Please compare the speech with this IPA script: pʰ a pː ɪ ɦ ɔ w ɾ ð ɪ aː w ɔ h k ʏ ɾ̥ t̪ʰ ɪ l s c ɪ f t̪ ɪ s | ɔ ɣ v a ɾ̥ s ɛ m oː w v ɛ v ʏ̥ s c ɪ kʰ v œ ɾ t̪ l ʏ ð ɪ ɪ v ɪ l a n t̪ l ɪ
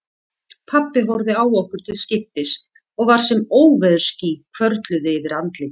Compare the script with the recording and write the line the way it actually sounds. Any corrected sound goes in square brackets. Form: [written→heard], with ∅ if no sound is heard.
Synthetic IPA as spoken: pʰ a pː ɪ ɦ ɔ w ɾ ð ɪ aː w ɔ h k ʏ ɾ̥ t̪ʰ ɪ l s c ɪ f t̪ ɪ s | ɔ ɣ v a ɾ̥ s ɛ m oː w v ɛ [v→ð] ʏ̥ s c [ɪ→i] kʰ v œ ɾ t̪ l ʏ ð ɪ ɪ v ɪ [l→ɾ] a n t̪ l ɪ